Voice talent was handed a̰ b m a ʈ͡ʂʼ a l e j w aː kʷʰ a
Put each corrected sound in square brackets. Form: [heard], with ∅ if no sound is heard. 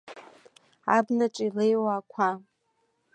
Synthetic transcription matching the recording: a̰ b [n] a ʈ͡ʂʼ [i] l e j w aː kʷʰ a